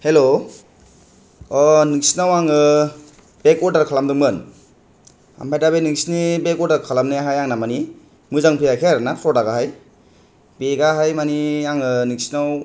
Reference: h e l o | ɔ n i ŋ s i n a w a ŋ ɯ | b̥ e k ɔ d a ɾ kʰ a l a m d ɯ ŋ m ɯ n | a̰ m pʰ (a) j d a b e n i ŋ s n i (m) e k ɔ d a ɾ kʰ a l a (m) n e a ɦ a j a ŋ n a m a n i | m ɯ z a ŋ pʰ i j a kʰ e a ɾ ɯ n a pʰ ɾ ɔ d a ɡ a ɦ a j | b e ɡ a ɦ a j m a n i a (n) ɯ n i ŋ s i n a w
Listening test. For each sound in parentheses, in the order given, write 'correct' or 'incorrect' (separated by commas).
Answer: correct, incorrect, correct, incorrect